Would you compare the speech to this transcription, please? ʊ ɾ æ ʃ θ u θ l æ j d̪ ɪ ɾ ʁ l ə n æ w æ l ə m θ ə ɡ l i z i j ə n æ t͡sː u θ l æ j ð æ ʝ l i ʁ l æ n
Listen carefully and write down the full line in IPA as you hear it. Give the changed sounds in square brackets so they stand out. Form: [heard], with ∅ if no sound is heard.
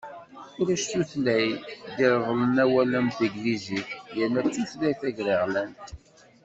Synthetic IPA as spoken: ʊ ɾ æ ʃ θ u θ l æ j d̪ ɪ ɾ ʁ l ə n æ w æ l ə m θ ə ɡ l i z i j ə n æ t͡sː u θ l æ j [θ] æ ʝ [ɾ] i ʁ l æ n